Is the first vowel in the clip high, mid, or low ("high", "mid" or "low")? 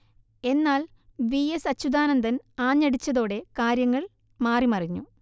mid